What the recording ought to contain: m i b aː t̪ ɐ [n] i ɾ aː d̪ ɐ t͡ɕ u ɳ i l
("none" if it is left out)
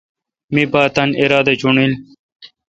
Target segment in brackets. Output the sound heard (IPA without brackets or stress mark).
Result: n